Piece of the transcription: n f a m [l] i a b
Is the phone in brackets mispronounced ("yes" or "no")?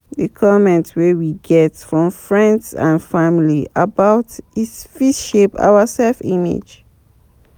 no